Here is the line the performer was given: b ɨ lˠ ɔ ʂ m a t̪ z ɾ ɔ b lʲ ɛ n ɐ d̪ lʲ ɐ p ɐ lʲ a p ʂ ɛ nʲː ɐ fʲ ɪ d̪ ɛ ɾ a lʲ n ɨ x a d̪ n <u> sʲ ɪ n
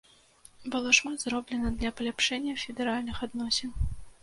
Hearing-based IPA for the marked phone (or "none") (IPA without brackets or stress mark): ɔ